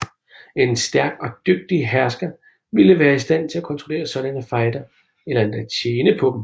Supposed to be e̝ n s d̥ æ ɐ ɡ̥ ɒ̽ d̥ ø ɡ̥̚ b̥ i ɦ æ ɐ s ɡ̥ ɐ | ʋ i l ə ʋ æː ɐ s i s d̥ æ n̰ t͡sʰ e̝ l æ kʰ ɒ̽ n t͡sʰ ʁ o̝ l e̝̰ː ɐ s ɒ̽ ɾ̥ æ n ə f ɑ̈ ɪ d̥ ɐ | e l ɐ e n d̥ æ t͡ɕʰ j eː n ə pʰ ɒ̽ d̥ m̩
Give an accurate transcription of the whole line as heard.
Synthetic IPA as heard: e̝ n s d̥ æ ɐ ɡ̥ ɒ̽ d̥ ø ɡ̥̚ d̥ i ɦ æ ɐ s ɡ̥ ɐ | ʋ i l ə ʋ æː ɐ i s d̥ æ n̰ t͡sʰ e̝ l æ kʰ ɒ̽ n t͡sʰ ʁ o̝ l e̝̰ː ɐ s ɒ̽ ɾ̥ æ n ə f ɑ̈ ɪ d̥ ɐ | e l ɐ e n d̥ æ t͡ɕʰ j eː n ə pʰ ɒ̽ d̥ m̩